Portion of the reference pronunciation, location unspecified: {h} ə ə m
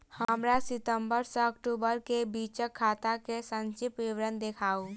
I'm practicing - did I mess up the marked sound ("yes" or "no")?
no